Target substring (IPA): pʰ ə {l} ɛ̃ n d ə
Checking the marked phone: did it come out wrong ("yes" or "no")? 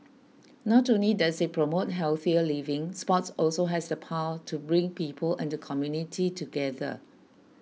no